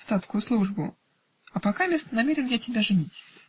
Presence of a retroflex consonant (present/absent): present